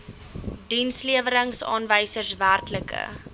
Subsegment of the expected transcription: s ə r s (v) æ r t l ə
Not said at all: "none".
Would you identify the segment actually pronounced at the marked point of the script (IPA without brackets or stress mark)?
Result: v